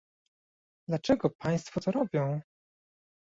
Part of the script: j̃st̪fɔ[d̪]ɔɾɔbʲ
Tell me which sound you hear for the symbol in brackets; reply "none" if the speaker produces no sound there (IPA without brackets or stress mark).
t̪